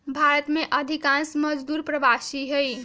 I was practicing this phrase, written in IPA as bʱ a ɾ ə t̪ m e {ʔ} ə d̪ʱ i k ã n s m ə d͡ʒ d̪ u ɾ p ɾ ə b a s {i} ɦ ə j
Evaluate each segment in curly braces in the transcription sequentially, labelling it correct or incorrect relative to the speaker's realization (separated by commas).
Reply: correct, correct